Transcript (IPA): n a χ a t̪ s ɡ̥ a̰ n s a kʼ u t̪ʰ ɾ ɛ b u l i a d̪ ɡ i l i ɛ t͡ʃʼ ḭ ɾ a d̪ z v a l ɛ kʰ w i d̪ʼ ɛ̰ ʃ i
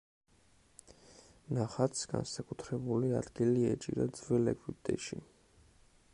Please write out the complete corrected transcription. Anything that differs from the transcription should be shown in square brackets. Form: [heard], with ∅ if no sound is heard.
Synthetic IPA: n a χ a t̪ s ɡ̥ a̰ n s a kʼ u t̪ʰ ɾ ɛ b u l i a d̪ ɡ i l i ɛ t͡ʃʼ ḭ ɾ a d̪ z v [ɛ] l ɛ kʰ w i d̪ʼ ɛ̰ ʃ i